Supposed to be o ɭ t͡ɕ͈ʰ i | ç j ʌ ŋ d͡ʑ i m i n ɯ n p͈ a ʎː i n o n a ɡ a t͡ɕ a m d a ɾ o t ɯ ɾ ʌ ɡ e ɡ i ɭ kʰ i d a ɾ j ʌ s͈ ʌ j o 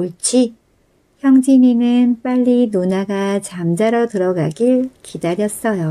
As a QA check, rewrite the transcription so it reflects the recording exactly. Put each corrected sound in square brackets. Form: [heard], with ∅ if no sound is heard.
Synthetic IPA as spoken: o ɭ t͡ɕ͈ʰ i | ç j ʌ ŋ d͡ʑ i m i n ɯ n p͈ a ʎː i n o n a ɡ a t͡ɕ a m [d͡ʑ] a ɾ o t ɯ ɾ ʌ ɡ [a] ɡ i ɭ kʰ i d a ɾ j ʌ s͈ ʌ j o